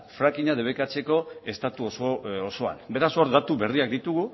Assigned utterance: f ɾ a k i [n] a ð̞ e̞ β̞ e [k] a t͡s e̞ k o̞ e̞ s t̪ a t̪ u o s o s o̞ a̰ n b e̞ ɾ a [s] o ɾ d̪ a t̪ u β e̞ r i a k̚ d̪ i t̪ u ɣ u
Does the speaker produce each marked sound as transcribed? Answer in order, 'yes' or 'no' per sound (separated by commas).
no, yes, yes